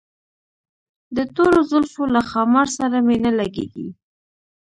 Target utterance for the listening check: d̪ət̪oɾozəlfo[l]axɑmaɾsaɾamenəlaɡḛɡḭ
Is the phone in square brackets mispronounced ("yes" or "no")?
no